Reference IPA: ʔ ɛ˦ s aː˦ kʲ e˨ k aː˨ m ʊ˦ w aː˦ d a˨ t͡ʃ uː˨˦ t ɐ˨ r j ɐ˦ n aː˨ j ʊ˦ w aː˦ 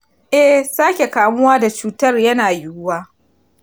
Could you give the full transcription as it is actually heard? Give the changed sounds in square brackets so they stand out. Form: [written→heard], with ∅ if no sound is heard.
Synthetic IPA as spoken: ʔ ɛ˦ s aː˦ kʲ e˨ k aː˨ m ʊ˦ w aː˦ d a˨ t͡ʃ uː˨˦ t [ɐ˨→ɐ˦] r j ɐ˦ n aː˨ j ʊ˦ w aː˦